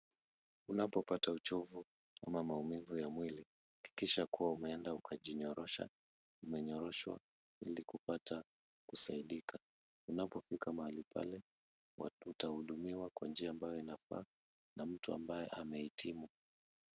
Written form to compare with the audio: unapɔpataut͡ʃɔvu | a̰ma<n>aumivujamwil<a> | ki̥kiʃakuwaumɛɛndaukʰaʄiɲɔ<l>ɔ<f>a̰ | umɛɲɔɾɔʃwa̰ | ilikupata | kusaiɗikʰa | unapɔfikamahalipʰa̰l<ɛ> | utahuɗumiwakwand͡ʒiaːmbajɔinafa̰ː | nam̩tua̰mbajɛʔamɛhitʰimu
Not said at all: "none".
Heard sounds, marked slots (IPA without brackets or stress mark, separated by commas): m, i, ɾ, ʃ, ɛ